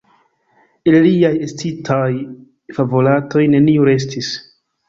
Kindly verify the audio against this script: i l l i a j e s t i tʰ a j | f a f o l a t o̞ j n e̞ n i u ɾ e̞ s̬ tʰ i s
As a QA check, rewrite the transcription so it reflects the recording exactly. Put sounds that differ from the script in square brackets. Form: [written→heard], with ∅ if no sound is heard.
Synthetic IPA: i l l i a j e s t i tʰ a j | f a [f→v] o l a t o̞ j n e̞ n i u ɾ e̞ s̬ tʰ i s